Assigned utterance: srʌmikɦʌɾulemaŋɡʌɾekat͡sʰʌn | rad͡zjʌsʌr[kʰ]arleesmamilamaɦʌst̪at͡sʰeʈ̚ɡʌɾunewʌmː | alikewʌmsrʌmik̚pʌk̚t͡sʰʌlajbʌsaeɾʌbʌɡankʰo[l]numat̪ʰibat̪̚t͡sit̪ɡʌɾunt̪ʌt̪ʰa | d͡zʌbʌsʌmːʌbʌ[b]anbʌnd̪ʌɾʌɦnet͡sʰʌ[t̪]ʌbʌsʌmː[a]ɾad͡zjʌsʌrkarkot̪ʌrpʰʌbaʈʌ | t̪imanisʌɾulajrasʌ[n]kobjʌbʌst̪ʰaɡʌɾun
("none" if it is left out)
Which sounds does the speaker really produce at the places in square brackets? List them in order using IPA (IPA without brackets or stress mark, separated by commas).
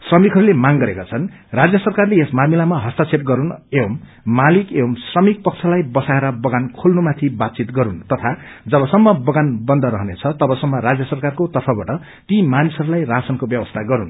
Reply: k, l, ɡ, t̪, ʌ, n